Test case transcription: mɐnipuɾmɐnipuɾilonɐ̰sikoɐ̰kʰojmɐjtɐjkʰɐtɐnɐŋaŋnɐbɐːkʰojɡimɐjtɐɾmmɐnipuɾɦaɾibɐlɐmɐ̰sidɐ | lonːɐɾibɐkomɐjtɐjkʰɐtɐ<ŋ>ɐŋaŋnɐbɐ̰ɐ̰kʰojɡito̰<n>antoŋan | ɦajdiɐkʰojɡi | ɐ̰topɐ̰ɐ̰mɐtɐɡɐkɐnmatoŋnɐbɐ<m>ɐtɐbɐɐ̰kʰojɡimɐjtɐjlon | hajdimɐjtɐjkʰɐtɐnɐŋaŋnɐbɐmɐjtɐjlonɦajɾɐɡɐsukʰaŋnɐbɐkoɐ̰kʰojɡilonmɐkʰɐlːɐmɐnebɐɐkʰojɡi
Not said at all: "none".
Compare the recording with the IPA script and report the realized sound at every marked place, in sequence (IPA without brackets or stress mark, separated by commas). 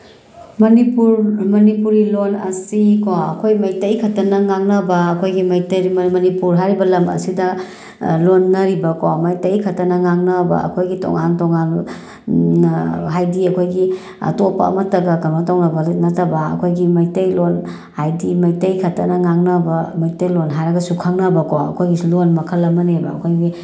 n, ŋ, n